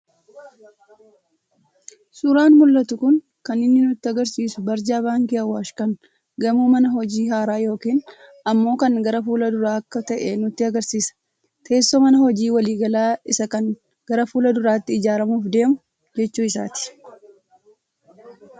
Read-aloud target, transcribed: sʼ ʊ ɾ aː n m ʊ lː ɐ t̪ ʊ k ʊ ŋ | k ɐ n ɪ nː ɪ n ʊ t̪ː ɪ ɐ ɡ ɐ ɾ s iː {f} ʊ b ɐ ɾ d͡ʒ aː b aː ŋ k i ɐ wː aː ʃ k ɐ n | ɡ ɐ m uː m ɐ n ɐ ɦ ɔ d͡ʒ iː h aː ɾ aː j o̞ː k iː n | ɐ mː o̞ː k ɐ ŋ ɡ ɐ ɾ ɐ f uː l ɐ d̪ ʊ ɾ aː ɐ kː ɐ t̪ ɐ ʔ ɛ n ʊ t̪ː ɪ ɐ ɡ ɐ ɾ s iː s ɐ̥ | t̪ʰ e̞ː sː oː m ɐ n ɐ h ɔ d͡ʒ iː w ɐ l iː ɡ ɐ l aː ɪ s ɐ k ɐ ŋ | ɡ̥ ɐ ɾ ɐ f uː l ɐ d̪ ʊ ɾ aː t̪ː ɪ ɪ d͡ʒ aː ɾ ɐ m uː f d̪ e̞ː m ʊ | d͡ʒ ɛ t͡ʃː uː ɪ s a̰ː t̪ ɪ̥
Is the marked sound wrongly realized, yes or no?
yes